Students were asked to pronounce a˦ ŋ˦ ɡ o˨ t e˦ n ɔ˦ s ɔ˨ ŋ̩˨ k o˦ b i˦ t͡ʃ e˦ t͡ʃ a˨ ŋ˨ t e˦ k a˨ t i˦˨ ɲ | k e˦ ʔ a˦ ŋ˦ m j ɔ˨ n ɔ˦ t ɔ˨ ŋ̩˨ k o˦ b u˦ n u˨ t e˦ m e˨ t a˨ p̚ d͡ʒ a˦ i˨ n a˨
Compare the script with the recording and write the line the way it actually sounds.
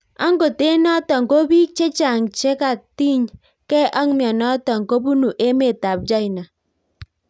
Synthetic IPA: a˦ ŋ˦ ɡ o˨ t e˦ n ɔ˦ t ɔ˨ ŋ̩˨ k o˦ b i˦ t͡ʃ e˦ t͡ʃ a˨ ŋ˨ t͡ʃ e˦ k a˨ t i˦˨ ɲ | k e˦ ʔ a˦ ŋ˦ m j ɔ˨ n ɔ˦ t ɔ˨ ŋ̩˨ k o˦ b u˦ n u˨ ʔ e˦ m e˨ t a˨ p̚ d͡ʒ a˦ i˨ n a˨

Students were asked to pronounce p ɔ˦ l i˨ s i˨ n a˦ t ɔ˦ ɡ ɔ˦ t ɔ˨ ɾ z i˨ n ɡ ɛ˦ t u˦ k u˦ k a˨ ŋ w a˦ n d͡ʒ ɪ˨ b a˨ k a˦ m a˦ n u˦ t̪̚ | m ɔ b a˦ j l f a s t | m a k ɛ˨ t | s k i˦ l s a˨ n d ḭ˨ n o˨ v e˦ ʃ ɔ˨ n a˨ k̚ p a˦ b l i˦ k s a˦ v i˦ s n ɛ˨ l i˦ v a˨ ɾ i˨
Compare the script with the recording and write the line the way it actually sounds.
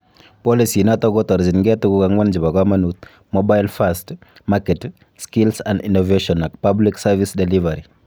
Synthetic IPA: p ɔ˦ l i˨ s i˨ n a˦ t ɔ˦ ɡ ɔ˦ t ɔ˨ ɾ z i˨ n ɡ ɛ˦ t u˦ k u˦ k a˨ ŋ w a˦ n d͡ʒ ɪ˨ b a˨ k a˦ m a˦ n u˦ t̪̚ | m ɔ b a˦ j l f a s t | m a k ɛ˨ t | s k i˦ l s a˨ n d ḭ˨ n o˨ v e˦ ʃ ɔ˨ n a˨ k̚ p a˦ b l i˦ k s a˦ v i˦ s d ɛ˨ l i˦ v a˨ ɾ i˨

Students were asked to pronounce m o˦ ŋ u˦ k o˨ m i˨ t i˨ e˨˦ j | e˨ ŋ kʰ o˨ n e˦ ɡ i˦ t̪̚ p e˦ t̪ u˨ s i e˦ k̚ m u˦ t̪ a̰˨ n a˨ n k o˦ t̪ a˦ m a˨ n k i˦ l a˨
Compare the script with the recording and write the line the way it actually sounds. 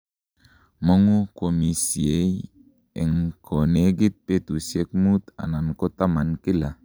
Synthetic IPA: m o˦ ŋ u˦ k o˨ m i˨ s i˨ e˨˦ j | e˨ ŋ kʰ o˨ n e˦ ɡ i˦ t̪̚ p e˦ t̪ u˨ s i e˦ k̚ m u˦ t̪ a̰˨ n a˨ n k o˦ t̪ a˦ m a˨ n k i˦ l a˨

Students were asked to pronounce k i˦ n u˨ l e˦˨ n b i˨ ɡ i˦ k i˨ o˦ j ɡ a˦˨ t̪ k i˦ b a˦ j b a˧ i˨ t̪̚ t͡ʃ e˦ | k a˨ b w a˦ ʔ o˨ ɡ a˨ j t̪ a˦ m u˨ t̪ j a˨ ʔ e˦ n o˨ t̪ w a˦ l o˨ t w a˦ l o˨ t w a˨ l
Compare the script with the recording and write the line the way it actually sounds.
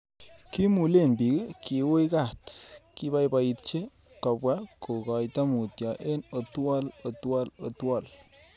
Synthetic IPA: k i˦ m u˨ l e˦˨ n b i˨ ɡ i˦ k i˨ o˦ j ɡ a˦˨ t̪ k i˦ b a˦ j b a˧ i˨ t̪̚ t͡ʃ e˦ | k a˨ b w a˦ k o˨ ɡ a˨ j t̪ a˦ m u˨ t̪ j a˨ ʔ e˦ n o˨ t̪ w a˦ l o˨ t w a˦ l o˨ t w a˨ l

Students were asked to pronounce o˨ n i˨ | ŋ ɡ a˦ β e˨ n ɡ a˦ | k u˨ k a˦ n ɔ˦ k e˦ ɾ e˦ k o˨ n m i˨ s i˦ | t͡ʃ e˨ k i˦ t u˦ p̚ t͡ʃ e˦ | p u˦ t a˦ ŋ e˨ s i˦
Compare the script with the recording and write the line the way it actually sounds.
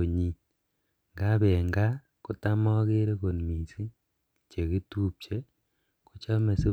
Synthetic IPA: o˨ ɲ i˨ | ŋ ɡ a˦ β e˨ ŋ ɡ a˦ | k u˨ t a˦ m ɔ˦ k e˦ ɾ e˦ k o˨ n m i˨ s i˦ | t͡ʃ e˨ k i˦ t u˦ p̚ t͡ʃ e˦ | k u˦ t͡ʃ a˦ m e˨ s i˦

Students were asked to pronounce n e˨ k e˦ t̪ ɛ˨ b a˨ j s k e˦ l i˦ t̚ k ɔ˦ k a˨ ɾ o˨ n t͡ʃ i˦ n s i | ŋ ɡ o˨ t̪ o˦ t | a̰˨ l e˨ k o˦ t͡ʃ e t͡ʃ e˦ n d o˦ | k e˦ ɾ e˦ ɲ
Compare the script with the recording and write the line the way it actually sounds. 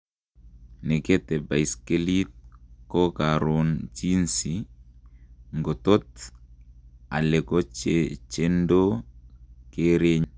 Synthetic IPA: n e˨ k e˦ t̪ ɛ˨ b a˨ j s k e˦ l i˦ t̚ k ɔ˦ k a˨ ɾ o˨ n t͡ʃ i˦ n s i | ŋ ɡ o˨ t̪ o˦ t | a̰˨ l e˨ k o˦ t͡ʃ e t͡ʃ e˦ n d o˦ | k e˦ ɾ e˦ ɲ

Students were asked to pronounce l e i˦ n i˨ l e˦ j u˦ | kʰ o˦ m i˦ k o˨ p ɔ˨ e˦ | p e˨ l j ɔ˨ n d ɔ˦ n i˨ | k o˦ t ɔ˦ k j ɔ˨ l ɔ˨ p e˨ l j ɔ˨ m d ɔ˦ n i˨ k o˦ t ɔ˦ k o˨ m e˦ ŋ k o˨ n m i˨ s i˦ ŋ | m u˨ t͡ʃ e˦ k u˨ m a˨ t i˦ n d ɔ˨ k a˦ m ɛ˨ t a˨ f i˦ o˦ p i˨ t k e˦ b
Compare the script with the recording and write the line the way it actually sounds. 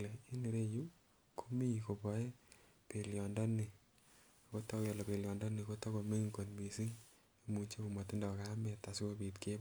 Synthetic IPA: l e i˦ n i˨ ɾ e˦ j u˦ | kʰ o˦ m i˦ k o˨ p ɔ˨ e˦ | p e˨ l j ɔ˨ n d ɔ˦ n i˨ | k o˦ t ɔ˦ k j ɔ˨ l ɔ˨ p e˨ l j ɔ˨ n d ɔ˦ n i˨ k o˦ t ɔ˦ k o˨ m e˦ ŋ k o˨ n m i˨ s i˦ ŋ | m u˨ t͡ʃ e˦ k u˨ m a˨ t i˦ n d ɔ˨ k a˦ m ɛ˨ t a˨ s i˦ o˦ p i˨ t k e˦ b

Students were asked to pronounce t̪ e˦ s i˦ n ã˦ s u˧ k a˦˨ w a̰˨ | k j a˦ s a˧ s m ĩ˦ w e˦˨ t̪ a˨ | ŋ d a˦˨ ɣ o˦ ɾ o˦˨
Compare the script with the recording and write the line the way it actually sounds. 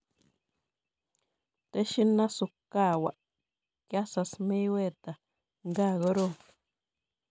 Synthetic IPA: t̪ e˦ ʃ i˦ n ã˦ s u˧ k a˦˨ w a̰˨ | k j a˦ s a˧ s m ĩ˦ w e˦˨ t̪ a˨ | ŋ ɡ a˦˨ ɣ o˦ ɾ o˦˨

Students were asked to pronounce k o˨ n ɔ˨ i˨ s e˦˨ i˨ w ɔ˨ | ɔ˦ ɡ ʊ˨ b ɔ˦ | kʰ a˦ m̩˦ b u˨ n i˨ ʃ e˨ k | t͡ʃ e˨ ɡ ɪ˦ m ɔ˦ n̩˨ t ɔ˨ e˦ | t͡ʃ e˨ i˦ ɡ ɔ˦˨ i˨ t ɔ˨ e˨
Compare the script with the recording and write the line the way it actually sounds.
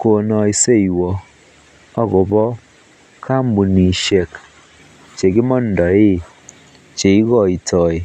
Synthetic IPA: k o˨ n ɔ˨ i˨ s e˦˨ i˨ w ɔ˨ | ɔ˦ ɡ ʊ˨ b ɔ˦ | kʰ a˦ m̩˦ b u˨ n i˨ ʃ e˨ k | t͡ʃ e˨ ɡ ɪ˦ m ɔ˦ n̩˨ d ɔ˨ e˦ | t͡ʃ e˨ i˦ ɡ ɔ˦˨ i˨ t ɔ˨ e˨

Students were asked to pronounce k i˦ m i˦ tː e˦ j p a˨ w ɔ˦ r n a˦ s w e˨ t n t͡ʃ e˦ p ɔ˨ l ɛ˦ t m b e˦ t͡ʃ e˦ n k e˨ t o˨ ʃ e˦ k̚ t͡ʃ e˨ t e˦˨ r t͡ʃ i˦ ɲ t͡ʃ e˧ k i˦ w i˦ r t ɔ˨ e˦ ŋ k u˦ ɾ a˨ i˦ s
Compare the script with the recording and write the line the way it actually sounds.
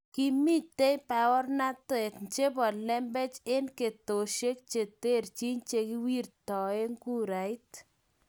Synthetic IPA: k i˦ m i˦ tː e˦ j p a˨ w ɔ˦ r n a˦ t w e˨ t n t͡ʃ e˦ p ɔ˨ l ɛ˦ m b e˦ t͡ʃ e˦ n k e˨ t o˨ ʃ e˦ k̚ t͡ʃ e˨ t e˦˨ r t͡ʃ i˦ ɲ t͡ʃ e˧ k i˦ w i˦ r t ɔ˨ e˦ ŋ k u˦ ɾ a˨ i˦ t

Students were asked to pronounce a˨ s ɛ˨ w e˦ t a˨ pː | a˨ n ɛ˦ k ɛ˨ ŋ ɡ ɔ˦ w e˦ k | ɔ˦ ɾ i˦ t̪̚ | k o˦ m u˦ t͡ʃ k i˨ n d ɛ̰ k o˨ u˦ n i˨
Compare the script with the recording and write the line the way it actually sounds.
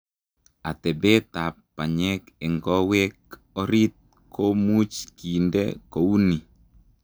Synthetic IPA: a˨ t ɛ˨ b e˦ t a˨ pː | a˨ ɲ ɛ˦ k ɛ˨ ŋ ɡ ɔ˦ w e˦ k | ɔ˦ ɾ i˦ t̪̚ | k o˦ m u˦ t͡ʃ k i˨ n d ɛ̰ k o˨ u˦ n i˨

